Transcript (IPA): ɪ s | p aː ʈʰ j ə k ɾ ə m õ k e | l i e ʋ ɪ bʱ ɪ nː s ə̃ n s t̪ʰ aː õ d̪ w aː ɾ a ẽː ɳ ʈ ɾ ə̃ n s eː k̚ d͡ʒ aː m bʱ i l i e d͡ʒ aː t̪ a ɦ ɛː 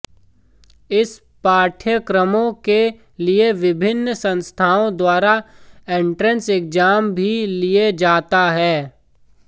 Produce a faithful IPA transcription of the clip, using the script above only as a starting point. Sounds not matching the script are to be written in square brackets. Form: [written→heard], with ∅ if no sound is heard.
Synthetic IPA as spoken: ɪ s | p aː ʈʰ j ə k ɾ ə m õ k e | l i e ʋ ɪ bʱ ɪ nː s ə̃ n s t̪ʰ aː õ d̪ w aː ɾ a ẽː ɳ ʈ ɾ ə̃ n s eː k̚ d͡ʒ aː m bʱ i l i e d͡ʒ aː t̪ a ɦ ɛː